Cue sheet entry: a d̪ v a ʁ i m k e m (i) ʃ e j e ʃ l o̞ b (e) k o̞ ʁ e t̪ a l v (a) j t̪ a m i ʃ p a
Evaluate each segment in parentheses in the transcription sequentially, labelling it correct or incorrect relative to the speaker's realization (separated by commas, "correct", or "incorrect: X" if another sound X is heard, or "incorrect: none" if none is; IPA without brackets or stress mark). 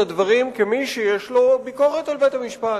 correct, incorrect: i, incorrect: e